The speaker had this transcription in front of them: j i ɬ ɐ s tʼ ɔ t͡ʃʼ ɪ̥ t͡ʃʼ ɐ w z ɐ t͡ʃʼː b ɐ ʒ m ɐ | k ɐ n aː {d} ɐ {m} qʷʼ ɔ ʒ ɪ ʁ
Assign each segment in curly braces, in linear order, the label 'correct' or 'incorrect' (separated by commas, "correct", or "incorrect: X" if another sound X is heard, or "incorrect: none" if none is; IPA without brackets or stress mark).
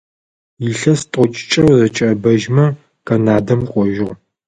correct, correct